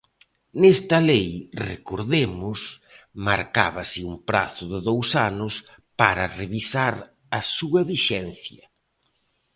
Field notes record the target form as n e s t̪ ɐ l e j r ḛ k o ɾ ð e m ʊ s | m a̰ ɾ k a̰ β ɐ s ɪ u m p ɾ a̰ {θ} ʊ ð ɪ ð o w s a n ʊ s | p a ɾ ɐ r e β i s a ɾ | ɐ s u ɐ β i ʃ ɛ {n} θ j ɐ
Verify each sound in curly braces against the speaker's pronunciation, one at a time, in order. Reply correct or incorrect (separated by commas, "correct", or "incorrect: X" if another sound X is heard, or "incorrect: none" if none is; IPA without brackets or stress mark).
correct, correct